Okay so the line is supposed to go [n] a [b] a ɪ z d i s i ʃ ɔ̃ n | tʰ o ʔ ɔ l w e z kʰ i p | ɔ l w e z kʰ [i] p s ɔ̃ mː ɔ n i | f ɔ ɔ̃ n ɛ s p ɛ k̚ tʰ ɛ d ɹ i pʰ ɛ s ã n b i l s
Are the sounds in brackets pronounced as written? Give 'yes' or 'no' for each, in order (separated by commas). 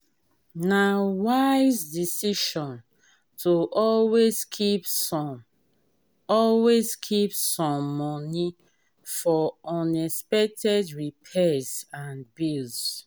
yes, no, yes